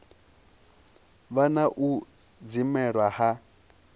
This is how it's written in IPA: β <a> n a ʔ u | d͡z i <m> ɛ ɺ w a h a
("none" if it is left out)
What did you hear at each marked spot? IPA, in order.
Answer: a, m

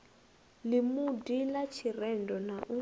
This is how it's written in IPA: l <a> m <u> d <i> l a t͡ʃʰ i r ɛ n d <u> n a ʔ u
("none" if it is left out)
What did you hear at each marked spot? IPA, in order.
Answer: i, u, i, ɔ

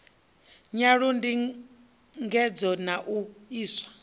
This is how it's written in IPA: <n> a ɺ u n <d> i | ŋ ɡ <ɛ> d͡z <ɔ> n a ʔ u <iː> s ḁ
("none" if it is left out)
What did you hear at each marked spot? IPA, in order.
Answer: ɲ, d, ɛ, ɔ, iː

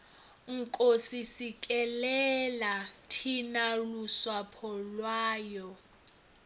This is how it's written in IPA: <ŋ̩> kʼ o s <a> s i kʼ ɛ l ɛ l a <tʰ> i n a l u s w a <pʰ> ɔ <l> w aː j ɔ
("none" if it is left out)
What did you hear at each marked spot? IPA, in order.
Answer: ŋ̩, i, tʰ, pʰ, l

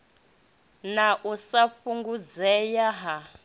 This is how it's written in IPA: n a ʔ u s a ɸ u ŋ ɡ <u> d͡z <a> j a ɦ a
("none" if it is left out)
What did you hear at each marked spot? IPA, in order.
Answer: u, ɛ

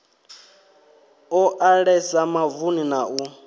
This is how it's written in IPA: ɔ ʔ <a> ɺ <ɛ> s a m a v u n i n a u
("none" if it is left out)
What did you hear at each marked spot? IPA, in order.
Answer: a, ɛ

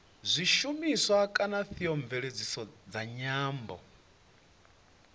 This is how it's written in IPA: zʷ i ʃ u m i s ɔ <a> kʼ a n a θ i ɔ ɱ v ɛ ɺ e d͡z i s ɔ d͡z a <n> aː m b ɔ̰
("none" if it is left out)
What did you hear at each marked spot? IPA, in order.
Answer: a, ɲ

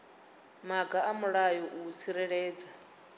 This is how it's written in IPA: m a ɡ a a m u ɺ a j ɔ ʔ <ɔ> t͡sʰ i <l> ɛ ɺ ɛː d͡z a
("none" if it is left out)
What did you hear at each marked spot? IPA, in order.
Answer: u, ɾ

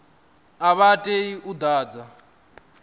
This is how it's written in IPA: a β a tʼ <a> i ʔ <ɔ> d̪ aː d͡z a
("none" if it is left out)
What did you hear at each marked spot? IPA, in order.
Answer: e, u

